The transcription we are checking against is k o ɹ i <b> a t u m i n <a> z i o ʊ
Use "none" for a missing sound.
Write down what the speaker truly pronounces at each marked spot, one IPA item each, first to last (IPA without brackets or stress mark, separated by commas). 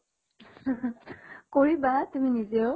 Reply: b, i